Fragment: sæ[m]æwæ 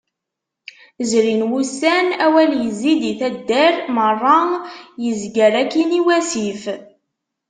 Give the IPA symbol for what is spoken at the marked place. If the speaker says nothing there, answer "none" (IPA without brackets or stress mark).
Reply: n